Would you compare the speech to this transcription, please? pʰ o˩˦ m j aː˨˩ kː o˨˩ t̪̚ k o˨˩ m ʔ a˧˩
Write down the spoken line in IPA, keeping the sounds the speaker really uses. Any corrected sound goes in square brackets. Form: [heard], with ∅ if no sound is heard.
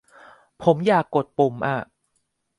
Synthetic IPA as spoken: pʰ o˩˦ m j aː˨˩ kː o˨˩ t̪̚ [p] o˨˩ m ʔ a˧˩